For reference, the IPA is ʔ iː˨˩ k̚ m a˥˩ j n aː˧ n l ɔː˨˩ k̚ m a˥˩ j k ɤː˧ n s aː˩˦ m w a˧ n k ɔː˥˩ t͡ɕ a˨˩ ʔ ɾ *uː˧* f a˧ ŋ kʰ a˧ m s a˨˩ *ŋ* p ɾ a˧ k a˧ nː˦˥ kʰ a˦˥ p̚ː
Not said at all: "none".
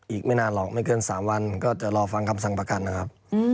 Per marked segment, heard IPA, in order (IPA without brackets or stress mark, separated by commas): ɔː˧, ŋ